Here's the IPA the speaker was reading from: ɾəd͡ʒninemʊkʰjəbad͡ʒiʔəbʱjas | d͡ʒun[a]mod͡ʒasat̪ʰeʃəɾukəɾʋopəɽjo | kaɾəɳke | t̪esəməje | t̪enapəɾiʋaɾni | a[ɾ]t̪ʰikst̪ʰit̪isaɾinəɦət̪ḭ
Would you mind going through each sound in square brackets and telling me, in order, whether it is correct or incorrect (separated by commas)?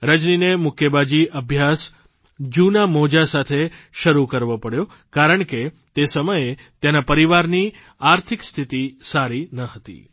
correct, correct